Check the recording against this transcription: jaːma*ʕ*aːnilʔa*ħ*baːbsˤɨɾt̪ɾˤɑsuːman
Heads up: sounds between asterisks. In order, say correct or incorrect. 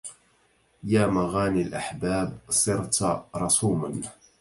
incorrect, correct

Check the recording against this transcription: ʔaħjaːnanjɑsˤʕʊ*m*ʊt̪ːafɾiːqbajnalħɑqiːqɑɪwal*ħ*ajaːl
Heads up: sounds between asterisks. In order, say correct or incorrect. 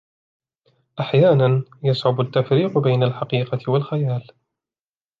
incorrect, incorrect

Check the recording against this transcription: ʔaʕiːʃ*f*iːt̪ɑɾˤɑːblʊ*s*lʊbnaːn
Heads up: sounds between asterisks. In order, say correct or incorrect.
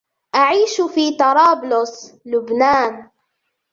correct, correct

